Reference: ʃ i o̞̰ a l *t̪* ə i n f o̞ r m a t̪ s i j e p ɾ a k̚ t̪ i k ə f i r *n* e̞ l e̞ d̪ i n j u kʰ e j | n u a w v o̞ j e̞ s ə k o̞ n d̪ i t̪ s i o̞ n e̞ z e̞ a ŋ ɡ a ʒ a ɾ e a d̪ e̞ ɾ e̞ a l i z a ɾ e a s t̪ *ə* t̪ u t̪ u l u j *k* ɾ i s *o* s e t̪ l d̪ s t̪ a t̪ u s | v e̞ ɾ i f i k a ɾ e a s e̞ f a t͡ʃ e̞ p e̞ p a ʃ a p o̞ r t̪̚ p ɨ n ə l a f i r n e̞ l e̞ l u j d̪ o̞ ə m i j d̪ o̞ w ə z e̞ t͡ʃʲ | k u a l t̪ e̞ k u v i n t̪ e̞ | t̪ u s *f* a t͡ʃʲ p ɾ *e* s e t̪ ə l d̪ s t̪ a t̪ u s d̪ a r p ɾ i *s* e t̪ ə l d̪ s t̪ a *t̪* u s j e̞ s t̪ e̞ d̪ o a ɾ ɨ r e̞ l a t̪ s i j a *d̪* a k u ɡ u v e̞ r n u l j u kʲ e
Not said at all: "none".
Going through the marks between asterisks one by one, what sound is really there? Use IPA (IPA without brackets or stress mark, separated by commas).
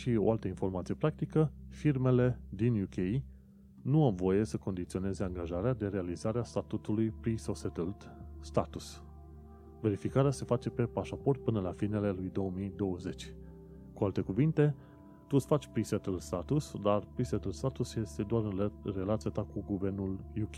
t̪, m, a, p, o, f, i, s, t̪, t̪